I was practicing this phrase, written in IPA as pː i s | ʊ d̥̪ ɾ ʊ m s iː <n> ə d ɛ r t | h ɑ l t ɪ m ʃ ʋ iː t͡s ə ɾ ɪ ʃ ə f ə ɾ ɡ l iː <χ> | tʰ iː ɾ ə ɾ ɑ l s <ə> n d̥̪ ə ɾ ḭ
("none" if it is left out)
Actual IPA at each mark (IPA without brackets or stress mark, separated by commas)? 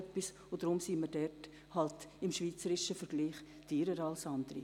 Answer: m, χ, ɑ